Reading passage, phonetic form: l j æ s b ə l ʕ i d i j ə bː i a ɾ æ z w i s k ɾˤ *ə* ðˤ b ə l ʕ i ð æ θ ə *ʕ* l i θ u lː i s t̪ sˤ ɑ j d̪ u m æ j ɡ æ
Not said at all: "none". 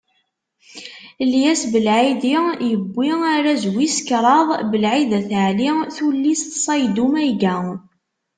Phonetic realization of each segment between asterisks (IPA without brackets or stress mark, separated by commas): ɑ, ʕ